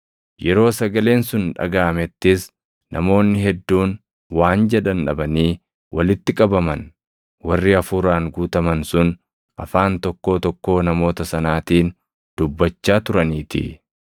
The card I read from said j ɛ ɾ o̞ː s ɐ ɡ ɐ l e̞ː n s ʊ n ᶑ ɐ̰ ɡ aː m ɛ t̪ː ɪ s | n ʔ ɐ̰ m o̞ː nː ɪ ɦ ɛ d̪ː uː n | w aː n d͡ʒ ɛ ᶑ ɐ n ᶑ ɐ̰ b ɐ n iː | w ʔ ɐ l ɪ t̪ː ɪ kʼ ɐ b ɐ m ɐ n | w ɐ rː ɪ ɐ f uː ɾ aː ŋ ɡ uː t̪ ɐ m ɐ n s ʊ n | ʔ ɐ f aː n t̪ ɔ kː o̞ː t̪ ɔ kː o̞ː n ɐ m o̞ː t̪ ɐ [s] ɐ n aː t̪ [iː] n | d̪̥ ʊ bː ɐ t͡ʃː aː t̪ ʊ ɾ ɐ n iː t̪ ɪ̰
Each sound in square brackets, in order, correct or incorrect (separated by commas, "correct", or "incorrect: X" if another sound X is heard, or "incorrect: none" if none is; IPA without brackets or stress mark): correct, correct